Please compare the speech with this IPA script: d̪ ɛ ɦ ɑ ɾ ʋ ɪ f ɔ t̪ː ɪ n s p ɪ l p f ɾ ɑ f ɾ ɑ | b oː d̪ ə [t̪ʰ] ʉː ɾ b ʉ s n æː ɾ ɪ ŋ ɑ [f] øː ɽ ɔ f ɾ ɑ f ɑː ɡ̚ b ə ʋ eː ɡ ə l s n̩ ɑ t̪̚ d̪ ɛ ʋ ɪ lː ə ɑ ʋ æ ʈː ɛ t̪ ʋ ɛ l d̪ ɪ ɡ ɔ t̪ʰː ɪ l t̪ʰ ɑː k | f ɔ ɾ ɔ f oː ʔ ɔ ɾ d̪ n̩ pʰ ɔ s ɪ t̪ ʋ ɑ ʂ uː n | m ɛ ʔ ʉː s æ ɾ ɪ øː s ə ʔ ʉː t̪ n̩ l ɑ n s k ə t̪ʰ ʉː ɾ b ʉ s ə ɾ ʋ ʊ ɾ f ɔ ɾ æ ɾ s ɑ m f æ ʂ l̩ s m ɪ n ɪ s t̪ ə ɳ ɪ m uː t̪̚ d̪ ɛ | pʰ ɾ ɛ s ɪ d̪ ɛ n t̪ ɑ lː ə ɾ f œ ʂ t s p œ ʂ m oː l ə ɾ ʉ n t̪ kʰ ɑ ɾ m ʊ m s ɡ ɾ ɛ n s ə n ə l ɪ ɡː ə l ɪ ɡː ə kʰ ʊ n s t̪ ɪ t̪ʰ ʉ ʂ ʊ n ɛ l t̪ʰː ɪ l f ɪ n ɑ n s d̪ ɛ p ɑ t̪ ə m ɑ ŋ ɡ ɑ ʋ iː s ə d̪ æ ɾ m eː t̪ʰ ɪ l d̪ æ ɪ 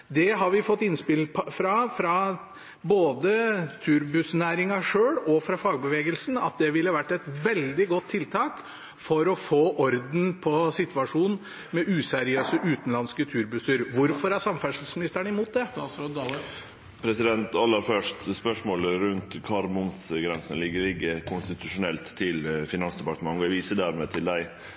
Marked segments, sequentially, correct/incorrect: correct, incorrect: ʂ

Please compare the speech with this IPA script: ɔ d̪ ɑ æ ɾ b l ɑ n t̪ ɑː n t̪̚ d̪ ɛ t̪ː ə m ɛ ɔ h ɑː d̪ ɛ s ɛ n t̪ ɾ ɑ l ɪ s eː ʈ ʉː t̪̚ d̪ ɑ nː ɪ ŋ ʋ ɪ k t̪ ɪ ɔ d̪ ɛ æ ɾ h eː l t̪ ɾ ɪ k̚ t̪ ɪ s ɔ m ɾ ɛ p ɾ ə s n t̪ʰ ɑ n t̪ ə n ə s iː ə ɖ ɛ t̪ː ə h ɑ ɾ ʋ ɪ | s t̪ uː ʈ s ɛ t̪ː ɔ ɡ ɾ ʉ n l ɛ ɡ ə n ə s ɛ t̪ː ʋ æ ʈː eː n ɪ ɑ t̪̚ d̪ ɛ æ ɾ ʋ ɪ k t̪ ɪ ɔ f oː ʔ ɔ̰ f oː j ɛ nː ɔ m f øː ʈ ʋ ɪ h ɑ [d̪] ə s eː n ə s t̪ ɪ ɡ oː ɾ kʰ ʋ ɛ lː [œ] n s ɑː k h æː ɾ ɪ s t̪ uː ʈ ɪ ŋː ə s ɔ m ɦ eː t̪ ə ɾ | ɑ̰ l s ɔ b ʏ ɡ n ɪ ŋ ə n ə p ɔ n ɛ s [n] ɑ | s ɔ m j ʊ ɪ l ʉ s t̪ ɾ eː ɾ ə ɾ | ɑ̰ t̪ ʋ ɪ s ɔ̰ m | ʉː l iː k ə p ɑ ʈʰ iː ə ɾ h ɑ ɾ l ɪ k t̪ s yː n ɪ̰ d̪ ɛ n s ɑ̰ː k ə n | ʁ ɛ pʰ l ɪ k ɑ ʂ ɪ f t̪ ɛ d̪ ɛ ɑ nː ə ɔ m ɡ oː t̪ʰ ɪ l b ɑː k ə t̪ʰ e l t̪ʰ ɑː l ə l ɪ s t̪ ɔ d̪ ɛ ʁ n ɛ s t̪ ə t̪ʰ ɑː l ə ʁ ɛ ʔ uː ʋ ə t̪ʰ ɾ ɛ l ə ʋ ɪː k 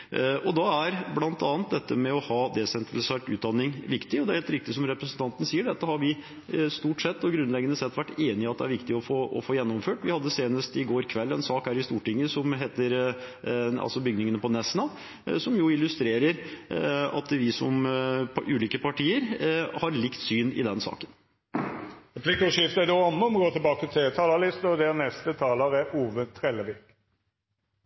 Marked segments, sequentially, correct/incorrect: incorrect: d̪ː, incorrect: ɛ, correct

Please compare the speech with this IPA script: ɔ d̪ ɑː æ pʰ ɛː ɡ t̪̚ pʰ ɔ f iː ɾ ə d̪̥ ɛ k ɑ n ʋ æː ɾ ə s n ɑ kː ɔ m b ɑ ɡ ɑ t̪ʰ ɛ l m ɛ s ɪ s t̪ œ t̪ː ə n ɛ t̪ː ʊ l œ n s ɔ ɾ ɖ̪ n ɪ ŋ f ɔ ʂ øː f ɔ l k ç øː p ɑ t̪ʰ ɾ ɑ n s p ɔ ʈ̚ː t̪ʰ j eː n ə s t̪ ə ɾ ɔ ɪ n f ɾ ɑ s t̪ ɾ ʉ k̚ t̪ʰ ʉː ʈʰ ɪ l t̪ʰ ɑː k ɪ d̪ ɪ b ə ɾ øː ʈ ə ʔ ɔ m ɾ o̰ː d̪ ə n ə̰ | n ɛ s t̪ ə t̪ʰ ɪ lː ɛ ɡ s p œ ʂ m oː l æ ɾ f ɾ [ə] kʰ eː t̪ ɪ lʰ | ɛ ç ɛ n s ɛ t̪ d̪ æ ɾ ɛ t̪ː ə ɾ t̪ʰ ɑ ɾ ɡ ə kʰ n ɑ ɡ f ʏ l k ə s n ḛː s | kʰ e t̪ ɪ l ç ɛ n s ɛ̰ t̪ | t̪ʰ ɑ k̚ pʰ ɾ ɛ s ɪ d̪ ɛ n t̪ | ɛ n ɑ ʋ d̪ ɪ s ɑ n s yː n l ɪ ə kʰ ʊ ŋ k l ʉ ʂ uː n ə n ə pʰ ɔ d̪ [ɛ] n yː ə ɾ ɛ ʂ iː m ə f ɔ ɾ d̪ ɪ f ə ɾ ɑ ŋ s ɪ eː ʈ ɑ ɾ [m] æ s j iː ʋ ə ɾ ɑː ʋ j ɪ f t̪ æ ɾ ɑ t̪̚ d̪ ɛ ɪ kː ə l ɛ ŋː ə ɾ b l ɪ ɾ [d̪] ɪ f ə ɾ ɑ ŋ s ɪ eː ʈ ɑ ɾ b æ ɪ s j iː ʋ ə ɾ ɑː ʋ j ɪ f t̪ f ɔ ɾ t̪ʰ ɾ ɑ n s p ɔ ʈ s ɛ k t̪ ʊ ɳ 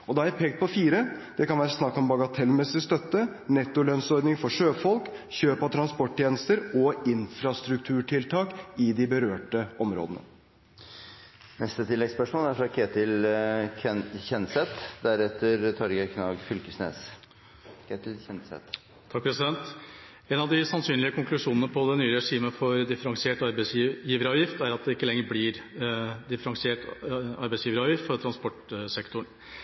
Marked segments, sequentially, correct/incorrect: incorrect: ɑ, correct, incorrect: b, correct

